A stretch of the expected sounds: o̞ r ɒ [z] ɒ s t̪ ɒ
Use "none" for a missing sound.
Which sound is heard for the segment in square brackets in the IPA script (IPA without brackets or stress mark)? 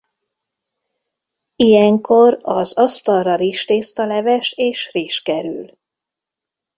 z